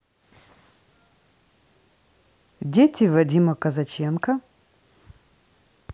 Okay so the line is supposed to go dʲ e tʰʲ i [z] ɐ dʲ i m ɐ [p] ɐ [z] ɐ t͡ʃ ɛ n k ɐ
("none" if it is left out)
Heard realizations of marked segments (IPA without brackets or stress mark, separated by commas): v, k, z